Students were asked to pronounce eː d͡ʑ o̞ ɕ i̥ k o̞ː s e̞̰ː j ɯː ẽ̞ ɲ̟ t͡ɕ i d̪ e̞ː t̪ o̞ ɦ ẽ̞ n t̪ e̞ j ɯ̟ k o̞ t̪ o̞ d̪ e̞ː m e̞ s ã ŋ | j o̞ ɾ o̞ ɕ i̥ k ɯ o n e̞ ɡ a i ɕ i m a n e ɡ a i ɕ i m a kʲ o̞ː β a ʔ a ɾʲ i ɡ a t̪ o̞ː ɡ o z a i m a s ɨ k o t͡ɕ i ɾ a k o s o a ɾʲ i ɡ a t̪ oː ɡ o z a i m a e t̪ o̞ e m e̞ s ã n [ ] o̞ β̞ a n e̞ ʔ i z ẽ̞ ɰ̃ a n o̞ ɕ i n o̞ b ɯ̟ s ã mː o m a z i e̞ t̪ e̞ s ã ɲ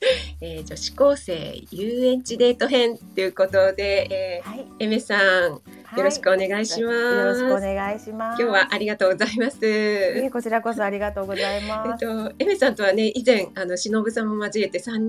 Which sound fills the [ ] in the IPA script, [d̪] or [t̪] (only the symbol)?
t̪